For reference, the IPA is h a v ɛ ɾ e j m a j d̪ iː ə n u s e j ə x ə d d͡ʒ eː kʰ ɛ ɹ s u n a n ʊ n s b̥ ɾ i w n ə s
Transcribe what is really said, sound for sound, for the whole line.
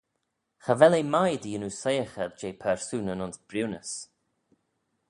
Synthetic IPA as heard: x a v ɛ l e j m a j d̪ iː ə n u s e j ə x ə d d͡ʒ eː pʰ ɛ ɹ s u n ə n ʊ n s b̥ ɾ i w n ə s